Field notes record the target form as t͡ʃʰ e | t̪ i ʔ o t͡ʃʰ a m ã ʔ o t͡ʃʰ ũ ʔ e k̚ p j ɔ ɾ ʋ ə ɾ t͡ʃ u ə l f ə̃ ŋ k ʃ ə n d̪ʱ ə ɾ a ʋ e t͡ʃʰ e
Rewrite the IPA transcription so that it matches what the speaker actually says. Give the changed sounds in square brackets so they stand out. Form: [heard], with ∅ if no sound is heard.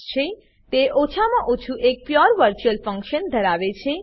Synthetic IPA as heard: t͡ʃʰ e | t̪ [e] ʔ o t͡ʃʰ a m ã ʔ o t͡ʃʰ [u] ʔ e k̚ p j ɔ ɾ ʋ ə ɾ t͡ʃ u ə l f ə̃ ŋ k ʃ ə n d̪ʱ ə ɾ a ʋ e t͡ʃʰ e